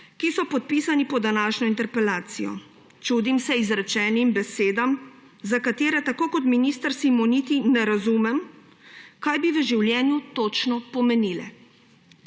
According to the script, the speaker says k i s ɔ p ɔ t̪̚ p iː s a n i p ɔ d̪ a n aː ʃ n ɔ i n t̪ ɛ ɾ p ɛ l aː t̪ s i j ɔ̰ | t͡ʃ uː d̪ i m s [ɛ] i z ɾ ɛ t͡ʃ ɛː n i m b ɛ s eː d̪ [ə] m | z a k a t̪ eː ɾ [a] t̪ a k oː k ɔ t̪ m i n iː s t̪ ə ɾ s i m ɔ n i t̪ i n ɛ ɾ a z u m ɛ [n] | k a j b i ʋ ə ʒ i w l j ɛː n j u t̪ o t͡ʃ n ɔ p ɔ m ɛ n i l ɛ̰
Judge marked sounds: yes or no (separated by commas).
yes, no, no, no